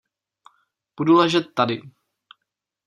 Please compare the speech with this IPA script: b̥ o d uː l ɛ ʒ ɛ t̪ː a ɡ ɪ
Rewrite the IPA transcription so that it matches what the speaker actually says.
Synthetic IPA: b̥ u d u l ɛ ʒ ɛ t̪ː a d ɪ